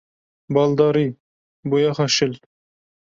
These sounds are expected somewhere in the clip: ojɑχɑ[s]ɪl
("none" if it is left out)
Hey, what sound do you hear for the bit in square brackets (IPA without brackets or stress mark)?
ʃ